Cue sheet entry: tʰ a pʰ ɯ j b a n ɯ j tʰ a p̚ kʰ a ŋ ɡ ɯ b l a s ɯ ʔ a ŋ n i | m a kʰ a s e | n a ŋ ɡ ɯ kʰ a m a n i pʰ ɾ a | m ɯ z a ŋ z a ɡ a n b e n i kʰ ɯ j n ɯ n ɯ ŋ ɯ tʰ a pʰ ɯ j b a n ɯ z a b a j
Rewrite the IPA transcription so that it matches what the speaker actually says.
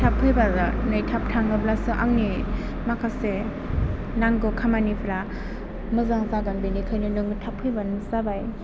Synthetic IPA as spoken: tʰ a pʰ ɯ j b a n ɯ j tʰ a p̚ tʰ a ŋ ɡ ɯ b l a s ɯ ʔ a ŋ n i | m a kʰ a s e | n a ŋ ɡ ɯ kʰ a m a n i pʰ ɾ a | m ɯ z a ŋ z a ɡ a n b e n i kʰ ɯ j n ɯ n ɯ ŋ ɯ tʰ a pʰ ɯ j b a n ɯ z a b a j